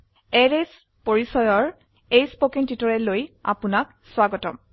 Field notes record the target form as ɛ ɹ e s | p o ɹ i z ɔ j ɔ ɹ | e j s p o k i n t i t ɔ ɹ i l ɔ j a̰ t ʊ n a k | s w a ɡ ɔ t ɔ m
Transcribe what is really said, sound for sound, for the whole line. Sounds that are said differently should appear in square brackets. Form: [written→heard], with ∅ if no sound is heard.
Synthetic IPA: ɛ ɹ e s | p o ɹ i [z→s] ɔ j ɔ ɹ | e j s p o k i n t i t ɔ ɹ [i→ɛ] l [ɔ→o] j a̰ [t→p] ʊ n a k | s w a ɡ ɔ t ɔ m

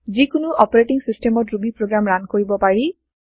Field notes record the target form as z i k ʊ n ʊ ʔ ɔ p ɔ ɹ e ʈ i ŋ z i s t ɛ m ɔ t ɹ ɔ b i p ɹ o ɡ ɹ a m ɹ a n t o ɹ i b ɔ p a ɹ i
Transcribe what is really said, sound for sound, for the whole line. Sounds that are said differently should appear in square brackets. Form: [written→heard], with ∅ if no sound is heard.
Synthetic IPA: z i k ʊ n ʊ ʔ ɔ p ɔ ɹ e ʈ i ŋ [z→s] i s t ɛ m ɔ t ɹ [ɔ→u] b i p ɹ o ɡ ɹ a m ɹ a n [t→k] o ɹ i b ɔ p a ɹ i

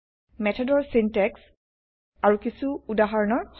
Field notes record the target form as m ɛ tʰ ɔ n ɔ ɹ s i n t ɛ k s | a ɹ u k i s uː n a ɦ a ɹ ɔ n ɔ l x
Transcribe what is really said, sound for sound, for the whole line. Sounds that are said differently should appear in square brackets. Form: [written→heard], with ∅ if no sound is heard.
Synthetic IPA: m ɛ tʰ ɔ [n→d] ɔ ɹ s i n t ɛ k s | a ɹ u k i s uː [n→d] a ɦ a ɹ ɔ n ɔ [l→ɹ] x

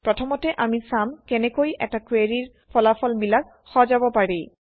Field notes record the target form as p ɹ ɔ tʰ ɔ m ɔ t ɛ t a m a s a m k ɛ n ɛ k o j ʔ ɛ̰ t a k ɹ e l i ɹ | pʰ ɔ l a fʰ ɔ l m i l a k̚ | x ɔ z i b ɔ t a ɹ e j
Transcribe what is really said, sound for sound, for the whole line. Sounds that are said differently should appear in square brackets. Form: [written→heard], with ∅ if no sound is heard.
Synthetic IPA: p ɹ ɔ tʰ ɔ m ɔ t ɛ [t→ʔ] a m [a→i] s a m k ɛ n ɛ k o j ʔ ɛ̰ t a k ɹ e [l→ɹ] i ɹ | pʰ ɔ l a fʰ ɔ l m i l a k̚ | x ɔ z [i→a] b ɔ [t→p] a ɹ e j

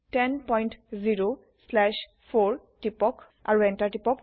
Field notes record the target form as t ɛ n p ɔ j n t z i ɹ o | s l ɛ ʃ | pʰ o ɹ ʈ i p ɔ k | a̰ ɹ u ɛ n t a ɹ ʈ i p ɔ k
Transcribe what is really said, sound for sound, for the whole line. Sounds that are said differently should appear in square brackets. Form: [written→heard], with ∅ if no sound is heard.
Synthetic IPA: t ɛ n p ɔ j n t z i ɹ o | s l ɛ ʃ | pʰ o ɹ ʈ i p ɔ k | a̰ ɹ u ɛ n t a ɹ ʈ i p ɔ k

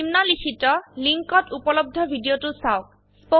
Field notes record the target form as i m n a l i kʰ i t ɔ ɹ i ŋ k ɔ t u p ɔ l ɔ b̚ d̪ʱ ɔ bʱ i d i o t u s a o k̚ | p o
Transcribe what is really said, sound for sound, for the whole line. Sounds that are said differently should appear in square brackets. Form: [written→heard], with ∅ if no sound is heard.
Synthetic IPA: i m n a l i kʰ i t ɔ [ɹ→l] i ŋ k ɔ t u p ɔ l ɔ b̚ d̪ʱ ɔ bʱ i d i o t u s a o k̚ | p o

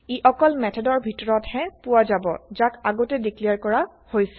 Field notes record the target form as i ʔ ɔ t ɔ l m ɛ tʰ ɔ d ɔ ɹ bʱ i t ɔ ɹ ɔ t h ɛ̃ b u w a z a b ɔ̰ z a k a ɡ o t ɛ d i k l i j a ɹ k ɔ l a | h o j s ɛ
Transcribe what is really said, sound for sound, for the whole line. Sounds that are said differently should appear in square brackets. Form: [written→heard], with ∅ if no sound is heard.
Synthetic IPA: i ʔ ɔ [t→k] ɔ l m ɛ tʰ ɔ d ɔ ɹ bʱ i t ɔ ɹ ɔ t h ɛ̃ [b→p] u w a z a b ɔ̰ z a k a ɡ o t ɛ d i k l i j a ɹ k ɔ [l→ɹ] a | h o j s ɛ

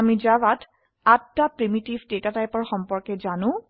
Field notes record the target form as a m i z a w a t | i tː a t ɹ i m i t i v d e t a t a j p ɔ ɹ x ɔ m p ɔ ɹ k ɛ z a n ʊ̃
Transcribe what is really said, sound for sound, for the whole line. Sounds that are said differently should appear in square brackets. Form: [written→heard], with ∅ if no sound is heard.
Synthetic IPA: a m i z a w a t | [i→a] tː a [t→p] ɹ i m i t i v d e t a t a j p ɔ ɹ x ɔ m p ɔ ɹ k ɛ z a n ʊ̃

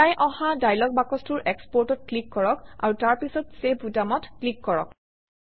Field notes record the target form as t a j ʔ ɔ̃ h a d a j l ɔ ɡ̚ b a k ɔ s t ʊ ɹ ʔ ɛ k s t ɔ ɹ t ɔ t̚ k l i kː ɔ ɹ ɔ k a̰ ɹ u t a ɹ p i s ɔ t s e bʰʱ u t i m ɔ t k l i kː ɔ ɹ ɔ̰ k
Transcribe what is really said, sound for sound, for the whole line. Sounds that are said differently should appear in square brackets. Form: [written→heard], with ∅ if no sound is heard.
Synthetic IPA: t a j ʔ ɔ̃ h a d a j l ɔ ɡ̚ b a k ɔ s t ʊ ɹ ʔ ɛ k s [t→p] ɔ ɹ t ɔ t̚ k l i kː ɔ ɹ ɔ k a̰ ɹ u t a ɹ p i s ɔ t s e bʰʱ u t [i→a] m ɔ t k l i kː ɔ ɹ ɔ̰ k

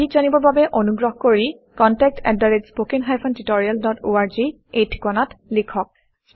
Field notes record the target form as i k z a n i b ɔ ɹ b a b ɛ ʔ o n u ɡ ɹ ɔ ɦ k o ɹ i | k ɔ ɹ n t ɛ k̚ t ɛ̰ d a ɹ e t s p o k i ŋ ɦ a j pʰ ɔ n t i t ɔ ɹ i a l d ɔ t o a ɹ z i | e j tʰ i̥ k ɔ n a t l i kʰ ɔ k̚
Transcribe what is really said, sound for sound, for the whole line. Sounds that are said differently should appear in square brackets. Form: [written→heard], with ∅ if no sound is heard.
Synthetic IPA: i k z a n i b ɔ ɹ b a b ɛ ʔ o n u ɡ ɹ ɔ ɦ k o ɹ i | k ɔ [ɹ→∅] n t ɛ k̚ t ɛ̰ d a ɹ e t s p o k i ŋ ɦ a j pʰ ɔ n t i t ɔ ɹ i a l d ɔ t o a ɹ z i | e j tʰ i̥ k ɔ n a t l i kʰ ɔ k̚

